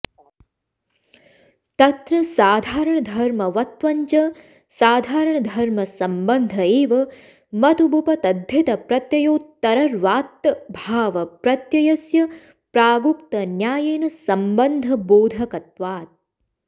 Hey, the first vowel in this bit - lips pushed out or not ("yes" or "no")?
no